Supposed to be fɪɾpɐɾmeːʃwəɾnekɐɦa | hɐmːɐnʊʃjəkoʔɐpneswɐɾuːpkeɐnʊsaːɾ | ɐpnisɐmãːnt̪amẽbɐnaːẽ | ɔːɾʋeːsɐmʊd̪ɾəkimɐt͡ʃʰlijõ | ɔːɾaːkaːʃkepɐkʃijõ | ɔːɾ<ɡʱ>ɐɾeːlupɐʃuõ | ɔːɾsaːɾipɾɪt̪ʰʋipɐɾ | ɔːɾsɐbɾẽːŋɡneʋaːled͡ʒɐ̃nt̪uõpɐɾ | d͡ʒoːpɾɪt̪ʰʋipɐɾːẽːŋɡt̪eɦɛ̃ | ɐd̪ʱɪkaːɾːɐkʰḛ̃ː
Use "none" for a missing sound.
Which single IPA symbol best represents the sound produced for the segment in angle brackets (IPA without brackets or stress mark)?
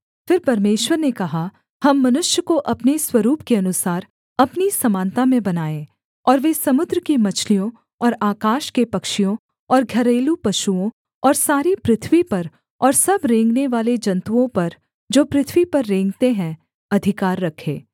ɡʱ